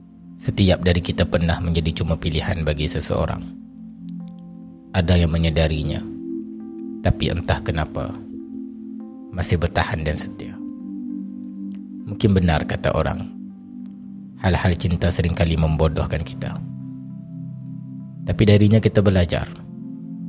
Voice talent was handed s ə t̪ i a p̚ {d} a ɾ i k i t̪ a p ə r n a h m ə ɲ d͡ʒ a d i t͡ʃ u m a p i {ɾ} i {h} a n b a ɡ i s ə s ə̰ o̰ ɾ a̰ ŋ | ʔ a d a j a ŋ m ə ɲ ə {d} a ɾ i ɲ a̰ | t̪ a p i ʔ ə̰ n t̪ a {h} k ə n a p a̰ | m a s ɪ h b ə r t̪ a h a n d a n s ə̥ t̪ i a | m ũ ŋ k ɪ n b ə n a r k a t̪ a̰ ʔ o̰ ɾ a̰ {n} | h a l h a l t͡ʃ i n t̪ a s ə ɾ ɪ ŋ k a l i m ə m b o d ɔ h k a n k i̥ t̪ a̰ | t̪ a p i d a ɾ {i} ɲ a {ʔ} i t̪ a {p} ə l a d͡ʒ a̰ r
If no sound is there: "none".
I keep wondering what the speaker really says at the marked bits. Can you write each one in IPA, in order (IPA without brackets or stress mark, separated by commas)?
d, l, h, d, h, ŋ, i, k, b